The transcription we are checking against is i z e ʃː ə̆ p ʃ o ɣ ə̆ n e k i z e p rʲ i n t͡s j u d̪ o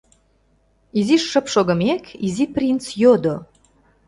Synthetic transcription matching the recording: i z i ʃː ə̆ p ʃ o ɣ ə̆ m e k i z i p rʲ i n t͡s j o d̪ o